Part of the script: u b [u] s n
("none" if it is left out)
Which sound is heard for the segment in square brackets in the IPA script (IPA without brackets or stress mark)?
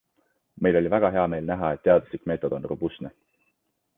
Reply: u